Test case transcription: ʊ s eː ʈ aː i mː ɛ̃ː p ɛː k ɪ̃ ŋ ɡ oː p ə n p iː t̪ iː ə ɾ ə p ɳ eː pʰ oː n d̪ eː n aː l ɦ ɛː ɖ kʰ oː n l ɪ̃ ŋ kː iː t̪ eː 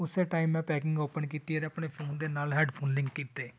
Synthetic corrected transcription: ʊ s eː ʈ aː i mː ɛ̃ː p ɛː k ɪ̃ ŋ ɡ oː p ə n k iː t̪ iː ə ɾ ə p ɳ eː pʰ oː n d̪ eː n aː l ɦ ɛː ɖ pʰ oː n l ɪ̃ ŋ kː iː t̪ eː